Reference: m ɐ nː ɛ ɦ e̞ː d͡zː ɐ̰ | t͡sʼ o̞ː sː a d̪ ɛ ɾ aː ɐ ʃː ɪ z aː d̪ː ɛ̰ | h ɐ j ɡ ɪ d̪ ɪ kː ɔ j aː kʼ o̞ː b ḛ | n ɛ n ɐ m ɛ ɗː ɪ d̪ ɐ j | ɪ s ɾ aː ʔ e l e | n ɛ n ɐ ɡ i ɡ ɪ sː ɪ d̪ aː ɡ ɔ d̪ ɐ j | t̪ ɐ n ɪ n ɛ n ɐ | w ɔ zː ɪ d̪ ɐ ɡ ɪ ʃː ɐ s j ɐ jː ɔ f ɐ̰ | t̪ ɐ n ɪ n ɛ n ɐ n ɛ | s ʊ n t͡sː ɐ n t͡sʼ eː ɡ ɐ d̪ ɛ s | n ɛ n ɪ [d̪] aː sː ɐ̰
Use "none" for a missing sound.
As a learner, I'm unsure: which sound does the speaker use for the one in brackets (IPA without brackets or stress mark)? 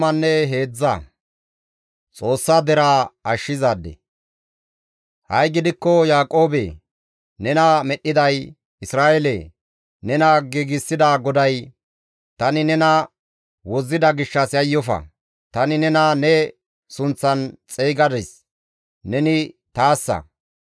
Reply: t̪